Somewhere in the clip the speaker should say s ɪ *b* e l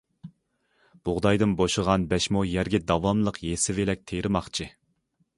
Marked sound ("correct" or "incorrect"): incorrect